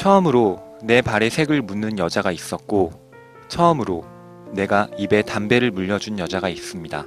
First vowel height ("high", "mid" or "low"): mid